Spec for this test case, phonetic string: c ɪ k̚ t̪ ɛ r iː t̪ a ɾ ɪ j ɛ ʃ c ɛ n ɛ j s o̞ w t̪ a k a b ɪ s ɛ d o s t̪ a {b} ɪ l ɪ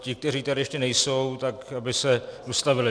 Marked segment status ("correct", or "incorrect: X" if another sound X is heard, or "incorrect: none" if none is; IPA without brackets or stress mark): incorrect: v